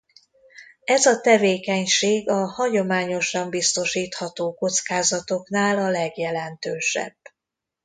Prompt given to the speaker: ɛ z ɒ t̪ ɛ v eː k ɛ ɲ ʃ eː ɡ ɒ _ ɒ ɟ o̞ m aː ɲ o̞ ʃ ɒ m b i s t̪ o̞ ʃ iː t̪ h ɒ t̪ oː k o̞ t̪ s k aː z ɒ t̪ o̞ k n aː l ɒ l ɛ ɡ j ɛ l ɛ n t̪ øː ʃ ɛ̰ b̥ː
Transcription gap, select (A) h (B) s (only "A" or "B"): A